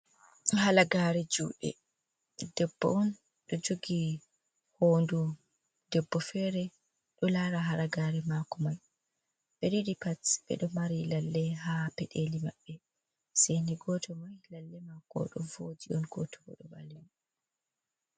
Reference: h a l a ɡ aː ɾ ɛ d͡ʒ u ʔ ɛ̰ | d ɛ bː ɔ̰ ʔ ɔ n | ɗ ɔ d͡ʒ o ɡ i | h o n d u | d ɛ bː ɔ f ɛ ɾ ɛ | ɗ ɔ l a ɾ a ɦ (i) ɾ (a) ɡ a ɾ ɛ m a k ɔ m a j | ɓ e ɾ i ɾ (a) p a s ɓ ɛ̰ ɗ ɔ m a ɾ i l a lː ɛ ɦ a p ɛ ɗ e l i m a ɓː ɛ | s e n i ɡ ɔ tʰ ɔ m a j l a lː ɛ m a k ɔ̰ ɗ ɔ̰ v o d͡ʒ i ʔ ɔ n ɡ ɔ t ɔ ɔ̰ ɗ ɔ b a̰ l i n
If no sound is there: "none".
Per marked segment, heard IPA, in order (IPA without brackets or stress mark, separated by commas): a, a, i